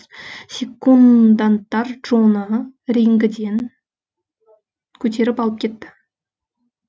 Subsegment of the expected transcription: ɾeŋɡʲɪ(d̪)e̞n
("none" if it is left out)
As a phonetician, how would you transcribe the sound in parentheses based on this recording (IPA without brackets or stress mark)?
d̪